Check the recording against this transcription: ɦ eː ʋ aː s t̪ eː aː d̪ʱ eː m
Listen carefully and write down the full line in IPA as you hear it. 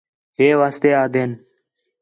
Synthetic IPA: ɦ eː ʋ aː s t̪ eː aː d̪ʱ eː n